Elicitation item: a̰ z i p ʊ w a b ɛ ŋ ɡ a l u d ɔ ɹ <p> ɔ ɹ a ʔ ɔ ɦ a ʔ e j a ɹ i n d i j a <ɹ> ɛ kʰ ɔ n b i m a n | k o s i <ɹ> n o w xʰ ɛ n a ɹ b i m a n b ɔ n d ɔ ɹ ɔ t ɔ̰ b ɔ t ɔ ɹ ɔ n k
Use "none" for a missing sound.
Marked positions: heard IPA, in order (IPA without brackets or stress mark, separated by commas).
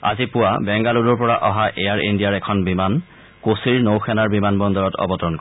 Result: p, ɹ, ɹ